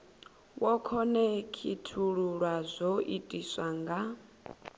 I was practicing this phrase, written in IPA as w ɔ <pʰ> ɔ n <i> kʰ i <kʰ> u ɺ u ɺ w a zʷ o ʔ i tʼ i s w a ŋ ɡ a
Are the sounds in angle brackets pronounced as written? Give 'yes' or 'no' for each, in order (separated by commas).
no, no, no